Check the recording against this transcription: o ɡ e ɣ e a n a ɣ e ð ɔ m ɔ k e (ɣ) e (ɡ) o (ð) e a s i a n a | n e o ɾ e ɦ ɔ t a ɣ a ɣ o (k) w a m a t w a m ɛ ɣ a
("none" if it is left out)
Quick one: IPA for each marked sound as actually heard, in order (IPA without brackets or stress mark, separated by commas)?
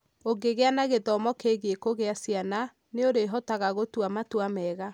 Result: ɣ, k, ɣ, t